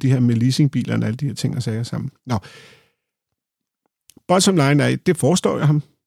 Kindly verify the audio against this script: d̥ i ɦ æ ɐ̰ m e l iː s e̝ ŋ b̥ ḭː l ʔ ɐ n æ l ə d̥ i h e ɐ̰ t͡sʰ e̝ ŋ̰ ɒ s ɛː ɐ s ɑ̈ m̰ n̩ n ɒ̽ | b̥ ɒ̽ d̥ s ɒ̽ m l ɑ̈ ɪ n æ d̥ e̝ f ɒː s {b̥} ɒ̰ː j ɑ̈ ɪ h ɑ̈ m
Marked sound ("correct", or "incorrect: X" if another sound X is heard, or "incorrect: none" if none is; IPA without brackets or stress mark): incorrect: d̥